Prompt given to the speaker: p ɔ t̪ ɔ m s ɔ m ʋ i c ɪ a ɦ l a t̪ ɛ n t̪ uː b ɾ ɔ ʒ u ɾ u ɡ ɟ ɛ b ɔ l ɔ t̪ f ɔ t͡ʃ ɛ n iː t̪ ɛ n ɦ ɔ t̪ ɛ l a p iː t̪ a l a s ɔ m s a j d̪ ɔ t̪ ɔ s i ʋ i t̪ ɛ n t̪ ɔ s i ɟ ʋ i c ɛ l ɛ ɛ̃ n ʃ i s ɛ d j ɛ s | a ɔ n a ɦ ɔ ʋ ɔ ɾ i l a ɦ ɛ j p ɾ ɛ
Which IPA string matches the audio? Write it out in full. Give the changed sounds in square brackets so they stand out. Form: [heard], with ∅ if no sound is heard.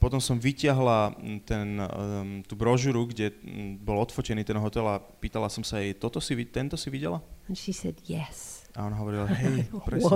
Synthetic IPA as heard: p ɔ t̪ ɔ m s ɔ m ʋ i c ɪ a ɦ l a t̪ ɛ n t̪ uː b ɾ ɔ ʒ u ɾ u ɡ ɟ ɛ b ɔ l ɔ t̪ f ɔ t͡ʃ ɛ n iː t̪ ɛ n ɦ ɔ t̪ ɛ l a p iː t̪ a l a s ɔ m s a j [t̪] ɔ t̪ ɔ s i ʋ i t̪ ɛ n t̪ ɔ s i [∅] ʋ i [ɟ] ɛ l [a] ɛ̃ n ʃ i s ɛ d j ɛ s | a ɔ n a ɦ ɔ ʋ ɔ ɾ i l a ɦ ɛ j p ɾ ɛ